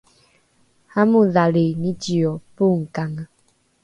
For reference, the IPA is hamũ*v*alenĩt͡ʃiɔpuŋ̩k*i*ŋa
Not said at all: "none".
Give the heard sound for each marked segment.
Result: ð, a

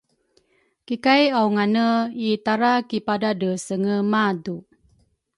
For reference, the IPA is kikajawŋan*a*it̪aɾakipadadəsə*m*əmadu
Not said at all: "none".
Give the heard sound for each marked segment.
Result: ə, ŋ

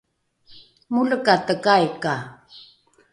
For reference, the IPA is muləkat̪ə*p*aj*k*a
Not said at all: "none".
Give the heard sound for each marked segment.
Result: k, k

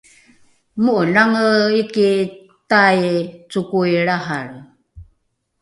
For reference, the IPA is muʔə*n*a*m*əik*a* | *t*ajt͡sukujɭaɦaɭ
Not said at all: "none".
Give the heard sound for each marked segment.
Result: n, ŋ, i, t

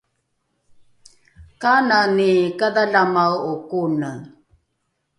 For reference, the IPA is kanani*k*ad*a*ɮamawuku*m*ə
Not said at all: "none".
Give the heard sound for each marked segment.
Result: k, a, n

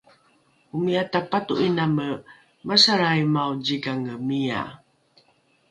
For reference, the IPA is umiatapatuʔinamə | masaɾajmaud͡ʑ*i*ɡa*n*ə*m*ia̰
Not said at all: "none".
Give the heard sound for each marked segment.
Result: i, ŋ, m

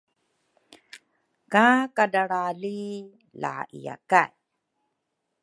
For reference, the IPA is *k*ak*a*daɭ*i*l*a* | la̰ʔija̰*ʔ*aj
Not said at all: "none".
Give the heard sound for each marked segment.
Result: k, a, a, i, k

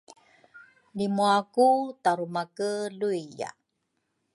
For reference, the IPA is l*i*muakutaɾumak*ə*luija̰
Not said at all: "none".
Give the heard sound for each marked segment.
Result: i, ə

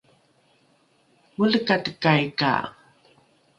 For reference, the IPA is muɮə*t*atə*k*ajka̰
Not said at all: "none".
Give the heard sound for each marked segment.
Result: k, k

